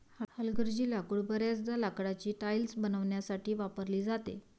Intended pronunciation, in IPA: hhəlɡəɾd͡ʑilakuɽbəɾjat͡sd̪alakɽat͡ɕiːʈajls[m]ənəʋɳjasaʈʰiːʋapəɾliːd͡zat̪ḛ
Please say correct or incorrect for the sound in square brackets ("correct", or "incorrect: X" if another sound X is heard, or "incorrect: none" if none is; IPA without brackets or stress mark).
incorrect: b